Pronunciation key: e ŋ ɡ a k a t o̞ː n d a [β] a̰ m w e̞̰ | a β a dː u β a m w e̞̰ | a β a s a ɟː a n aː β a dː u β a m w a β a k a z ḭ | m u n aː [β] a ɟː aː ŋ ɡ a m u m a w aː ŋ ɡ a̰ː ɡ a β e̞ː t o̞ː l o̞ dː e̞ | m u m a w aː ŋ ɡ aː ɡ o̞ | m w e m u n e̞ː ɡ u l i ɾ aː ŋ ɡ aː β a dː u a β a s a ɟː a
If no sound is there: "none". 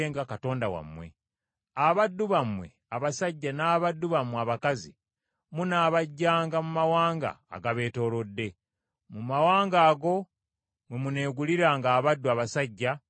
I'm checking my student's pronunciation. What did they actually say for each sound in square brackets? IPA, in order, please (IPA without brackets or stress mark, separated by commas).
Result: w, β